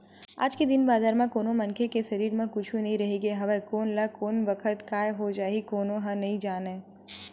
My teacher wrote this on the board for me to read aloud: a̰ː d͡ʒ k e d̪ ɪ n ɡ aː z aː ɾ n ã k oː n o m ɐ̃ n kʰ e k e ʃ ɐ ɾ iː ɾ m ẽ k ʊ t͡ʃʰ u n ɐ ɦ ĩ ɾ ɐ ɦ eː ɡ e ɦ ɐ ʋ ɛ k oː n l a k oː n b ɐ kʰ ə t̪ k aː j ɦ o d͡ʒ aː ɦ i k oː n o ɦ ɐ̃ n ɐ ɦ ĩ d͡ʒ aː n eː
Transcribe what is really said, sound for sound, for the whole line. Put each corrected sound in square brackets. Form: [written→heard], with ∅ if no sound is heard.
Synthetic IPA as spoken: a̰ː d͡ʒ k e d̪ ɪ n [ɡ→b] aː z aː ɾ [n→m] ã k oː n o m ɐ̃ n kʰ e k e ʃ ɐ ɾ iː ɾ m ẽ k ʊ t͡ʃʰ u n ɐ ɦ ĩ ɾ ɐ ɦ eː ɡ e ɦ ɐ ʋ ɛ k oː n l a k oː n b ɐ kʰ ə t̪ k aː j ɦ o d͡ʒ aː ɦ i k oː n o ɦ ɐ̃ n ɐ ɦ ĩ d͡ʒ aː n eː